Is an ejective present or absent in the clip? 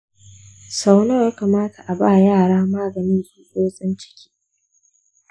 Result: present